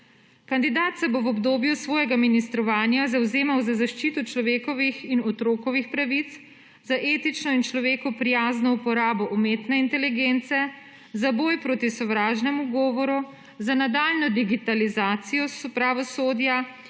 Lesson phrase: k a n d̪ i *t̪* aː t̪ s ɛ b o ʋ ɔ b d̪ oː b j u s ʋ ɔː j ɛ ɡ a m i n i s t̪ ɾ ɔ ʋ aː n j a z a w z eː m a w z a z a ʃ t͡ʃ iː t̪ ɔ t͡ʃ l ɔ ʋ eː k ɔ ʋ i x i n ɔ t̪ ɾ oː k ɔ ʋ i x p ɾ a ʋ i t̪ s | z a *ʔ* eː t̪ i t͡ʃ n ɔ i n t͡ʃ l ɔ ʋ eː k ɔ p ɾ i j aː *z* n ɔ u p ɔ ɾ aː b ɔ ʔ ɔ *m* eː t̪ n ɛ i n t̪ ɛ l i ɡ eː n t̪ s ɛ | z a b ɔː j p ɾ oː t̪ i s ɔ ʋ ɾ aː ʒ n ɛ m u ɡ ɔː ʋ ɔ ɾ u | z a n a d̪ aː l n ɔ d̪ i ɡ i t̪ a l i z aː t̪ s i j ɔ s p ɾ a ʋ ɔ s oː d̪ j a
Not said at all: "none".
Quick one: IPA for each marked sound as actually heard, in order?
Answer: d̪, ʔ, z, m

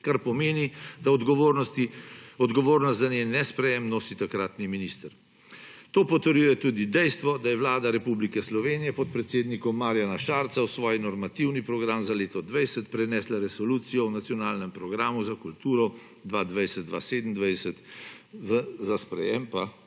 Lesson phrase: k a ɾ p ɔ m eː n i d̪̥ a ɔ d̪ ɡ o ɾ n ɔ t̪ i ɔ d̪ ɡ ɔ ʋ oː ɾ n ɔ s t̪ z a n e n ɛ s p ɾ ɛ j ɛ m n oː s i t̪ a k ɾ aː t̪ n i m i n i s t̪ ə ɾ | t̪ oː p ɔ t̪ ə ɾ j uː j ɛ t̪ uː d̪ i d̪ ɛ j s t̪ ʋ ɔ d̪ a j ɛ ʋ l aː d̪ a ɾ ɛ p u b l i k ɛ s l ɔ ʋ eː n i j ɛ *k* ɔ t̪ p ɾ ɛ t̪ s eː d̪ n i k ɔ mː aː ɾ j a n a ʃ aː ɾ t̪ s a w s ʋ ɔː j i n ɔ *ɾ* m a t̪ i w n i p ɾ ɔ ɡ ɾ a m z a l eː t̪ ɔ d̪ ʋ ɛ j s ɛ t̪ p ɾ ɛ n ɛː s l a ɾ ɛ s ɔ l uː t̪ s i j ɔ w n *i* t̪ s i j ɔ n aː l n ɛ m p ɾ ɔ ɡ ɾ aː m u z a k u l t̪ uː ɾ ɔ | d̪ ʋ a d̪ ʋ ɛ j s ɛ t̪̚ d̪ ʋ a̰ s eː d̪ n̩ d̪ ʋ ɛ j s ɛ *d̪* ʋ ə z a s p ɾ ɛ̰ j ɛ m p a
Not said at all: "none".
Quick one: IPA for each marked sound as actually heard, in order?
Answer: p, ɾ, a, t̪

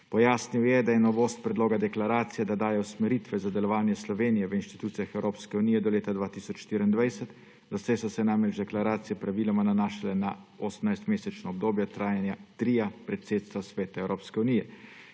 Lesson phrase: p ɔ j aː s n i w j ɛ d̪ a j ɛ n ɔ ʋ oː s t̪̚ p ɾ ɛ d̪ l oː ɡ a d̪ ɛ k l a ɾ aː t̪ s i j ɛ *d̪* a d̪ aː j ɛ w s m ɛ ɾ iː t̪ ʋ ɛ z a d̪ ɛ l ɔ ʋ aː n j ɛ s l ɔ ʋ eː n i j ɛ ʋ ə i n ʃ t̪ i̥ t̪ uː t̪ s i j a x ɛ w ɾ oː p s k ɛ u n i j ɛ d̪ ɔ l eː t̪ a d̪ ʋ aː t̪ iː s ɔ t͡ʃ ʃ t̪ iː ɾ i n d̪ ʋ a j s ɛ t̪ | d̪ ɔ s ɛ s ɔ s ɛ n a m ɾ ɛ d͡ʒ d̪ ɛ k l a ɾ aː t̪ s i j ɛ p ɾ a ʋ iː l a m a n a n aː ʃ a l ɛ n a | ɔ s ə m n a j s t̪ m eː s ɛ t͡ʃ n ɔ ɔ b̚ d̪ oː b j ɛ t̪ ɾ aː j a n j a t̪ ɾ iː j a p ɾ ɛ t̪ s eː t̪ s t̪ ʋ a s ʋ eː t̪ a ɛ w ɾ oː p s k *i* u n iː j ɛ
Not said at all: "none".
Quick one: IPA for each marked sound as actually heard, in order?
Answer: d̪, ɛ

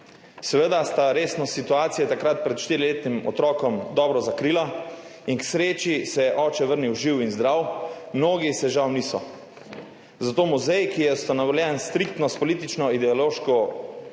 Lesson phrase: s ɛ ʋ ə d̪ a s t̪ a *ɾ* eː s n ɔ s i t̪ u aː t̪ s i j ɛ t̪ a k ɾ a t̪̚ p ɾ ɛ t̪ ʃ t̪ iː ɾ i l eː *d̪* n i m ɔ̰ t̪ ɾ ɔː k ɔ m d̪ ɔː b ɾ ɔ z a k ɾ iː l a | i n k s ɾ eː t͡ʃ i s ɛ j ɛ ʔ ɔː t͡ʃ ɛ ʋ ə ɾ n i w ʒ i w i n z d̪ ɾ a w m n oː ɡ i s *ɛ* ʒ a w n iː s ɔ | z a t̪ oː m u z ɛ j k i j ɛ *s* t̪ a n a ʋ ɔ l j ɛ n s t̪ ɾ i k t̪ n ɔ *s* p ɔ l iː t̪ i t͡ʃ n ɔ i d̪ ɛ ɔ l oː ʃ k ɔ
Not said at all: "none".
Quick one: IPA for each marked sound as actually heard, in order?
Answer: ɾ, t̪, ɛ, s, s

